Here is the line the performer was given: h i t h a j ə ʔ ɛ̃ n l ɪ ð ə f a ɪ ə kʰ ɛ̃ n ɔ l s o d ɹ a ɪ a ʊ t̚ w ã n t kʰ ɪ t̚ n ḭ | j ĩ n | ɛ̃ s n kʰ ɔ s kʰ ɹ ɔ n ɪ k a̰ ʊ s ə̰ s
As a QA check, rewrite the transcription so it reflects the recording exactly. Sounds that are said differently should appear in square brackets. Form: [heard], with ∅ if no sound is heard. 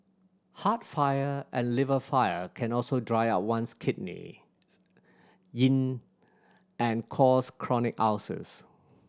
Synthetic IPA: h [a] t [f] a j ə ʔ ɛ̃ n l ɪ [v] ə f a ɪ ə kʰ ɛ̃ n ɔ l s o d ɹ a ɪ a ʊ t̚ w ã n [s] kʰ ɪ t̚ n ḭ | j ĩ n | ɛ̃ [∅] n kʰ ɔ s kʰ ɹ ɔ n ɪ k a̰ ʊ s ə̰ s